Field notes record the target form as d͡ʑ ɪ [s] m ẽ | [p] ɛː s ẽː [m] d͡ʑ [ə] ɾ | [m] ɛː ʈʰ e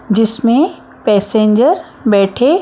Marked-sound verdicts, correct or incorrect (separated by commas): correct, correct, incorrect, correct, incorrect